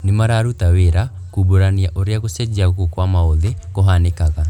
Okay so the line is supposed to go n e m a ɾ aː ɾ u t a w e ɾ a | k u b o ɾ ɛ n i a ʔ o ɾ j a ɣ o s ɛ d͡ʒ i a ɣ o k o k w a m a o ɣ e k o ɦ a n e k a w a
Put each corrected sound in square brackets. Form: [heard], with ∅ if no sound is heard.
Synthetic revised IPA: n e m a ɾ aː ɾ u t a w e ɾ a | k u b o ɾ [a] n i a ʔ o ɾ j a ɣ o s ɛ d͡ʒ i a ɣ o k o k w a m a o [ð] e k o ɦ a n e k a [ɣ] a